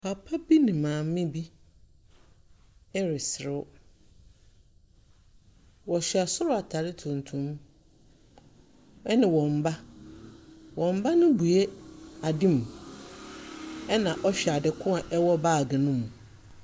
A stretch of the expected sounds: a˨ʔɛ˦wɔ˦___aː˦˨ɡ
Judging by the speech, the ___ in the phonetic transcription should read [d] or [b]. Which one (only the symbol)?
b